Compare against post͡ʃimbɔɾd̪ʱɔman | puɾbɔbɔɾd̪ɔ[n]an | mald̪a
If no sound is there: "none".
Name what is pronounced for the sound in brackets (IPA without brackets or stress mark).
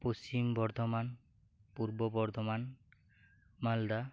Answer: m